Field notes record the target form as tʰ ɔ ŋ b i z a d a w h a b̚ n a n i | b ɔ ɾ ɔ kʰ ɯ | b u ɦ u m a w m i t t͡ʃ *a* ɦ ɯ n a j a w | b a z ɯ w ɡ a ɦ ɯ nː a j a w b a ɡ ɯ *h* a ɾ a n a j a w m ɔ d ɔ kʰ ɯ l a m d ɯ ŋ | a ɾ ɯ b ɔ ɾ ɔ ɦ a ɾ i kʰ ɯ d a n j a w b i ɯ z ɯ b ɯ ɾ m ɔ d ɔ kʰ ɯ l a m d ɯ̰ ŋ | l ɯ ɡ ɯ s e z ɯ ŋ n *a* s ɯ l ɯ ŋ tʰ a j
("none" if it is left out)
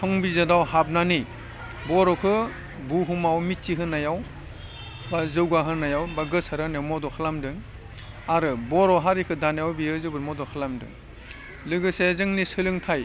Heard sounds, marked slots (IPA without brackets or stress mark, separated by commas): i, s, i